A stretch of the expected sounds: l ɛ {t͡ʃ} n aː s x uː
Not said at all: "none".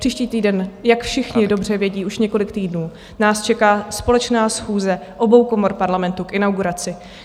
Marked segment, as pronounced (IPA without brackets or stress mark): t͡ʃ